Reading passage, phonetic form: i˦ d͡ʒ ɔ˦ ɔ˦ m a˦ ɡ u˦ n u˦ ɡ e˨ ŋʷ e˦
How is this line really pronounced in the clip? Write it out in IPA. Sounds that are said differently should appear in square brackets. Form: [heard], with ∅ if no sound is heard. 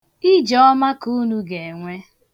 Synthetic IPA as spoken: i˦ d͡ʒ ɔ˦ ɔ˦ m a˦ [k] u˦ n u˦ ɡ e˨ ŋʷ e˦